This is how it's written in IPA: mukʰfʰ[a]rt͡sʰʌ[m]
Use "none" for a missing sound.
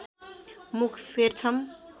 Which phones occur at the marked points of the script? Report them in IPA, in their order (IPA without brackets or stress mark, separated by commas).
e, m